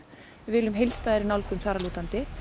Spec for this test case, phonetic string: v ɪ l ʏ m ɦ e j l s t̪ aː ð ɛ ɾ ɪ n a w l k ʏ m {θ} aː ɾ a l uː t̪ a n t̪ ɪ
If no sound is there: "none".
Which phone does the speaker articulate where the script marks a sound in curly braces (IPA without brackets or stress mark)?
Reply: θ